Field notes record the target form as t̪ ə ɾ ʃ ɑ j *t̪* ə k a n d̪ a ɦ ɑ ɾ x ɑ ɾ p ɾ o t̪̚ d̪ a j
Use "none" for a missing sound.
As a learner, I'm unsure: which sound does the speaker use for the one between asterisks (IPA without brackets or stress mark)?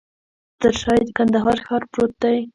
d̪